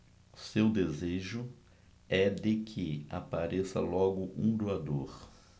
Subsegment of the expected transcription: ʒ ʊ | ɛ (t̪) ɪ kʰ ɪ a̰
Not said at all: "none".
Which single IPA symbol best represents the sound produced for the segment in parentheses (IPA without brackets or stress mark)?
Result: d̪